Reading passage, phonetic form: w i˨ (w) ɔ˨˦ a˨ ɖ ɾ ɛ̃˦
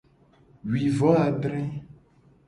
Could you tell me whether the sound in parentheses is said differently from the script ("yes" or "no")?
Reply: yes